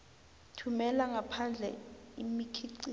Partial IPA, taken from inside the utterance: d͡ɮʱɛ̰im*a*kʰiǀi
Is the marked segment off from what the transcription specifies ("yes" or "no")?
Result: yes